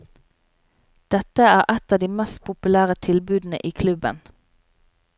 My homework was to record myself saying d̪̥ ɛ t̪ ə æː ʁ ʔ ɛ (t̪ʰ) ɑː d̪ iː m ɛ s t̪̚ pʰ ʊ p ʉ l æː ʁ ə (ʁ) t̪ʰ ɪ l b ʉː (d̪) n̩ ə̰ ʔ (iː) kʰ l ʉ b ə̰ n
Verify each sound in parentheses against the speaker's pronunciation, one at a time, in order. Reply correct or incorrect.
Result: incorrect, incorrect, correct, correct

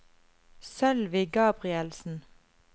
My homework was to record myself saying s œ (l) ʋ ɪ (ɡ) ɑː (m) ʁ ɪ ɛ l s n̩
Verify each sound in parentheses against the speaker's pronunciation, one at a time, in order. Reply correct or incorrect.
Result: correct, correct, incorrect

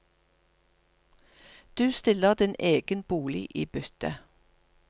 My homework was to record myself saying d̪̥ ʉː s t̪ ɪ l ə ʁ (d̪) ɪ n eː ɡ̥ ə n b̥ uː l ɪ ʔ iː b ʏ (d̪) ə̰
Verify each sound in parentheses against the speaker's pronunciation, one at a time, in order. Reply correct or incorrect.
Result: correct, incorrect

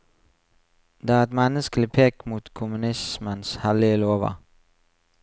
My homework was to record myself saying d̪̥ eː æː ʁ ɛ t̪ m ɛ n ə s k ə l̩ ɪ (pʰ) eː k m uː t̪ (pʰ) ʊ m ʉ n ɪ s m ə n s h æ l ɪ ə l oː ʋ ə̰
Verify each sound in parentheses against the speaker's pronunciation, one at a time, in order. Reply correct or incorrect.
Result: correct, incorrect

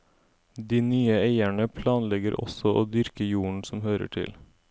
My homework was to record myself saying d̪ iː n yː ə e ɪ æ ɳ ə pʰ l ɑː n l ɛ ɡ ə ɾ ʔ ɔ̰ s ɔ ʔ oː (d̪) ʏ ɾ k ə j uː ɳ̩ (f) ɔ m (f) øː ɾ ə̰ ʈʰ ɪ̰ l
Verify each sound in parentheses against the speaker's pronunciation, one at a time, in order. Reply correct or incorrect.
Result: correct, incorrect, incorrect

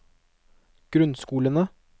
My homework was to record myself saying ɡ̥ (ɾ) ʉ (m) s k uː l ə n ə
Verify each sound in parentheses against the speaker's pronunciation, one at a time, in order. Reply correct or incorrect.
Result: correct, incorrect

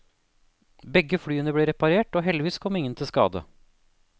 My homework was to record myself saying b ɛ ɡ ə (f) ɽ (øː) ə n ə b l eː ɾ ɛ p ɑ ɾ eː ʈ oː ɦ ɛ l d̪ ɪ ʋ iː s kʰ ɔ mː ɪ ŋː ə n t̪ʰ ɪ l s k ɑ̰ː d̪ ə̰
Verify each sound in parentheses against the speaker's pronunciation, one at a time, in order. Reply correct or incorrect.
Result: correct, incorrect

